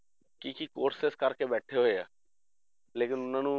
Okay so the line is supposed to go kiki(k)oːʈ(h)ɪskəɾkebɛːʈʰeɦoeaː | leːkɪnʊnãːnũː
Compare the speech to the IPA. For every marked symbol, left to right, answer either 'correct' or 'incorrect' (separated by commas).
correct, incorrect